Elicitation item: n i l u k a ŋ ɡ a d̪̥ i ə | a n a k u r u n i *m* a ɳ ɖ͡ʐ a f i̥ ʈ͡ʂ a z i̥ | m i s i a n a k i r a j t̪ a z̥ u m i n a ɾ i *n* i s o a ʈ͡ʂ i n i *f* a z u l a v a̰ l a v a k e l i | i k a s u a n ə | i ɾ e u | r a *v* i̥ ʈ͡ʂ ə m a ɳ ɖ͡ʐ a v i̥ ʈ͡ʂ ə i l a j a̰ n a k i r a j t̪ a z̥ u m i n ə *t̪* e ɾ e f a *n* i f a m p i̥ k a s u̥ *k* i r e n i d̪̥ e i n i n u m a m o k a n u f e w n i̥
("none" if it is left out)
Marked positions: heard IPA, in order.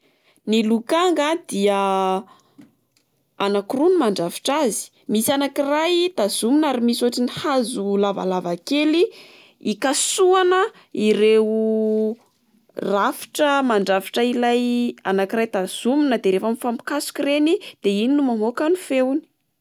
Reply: m, m, h, f, d̪, m, k

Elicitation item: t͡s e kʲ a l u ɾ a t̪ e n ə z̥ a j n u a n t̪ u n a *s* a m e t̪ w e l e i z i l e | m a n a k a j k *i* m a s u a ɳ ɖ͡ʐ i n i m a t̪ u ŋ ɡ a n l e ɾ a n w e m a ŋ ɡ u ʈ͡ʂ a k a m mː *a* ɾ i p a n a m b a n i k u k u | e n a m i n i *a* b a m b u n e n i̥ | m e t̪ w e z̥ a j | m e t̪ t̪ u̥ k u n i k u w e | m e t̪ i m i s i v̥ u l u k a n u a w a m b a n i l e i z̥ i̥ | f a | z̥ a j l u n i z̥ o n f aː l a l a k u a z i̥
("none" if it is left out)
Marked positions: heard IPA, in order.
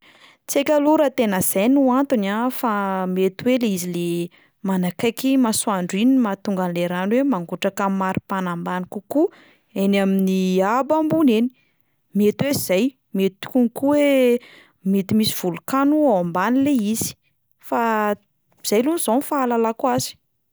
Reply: f, i, a, a

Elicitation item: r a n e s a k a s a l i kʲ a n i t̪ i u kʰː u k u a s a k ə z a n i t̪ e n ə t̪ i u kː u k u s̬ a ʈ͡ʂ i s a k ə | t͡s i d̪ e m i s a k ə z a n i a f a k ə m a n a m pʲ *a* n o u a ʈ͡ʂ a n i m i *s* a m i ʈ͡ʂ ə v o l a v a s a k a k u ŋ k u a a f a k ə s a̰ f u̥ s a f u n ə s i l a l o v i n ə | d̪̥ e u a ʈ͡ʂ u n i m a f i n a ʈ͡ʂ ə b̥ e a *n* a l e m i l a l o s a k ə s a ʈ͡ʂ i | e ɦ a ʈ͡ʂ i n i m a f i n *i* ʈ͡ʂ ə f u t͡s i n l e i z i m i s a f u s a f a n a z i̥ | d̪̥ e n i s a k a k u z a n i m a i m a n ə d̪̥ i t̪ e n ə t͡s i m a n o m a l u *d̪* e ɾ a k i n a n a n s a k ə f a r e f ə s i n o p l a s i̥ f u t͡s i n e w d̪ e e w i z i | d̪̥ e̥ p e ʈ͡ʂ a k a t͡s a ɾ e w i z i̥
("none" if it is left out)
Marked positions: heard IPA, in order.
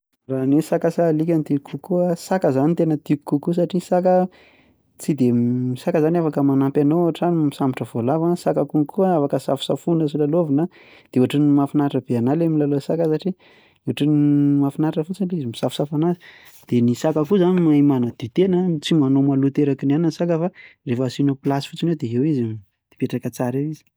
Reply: a, s, n, a, t̪

